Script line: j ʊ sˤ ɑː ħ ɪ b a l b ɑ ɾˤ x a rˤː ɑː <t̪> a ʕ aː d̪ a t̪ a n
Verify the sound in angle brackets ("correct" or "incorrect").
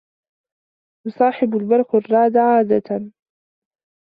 incorrect